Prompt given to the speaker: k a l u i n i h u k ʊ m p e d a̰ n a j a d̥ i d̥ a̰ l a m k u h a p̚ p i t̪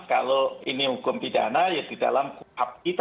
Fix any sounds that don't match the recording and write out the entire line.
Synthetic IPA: k a l o i n i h u k ʊ m p i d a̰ n a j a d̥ i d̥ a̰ l a m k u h a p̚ k i t̪